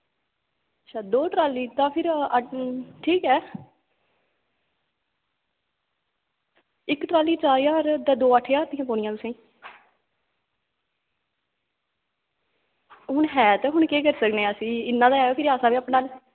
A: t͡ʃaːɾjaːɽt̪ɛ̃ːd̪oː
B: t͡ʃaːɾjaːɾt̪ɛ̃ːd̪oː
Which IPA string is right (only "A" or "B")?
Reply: B